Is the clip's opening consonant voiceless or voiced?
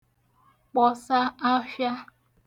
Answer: voiceless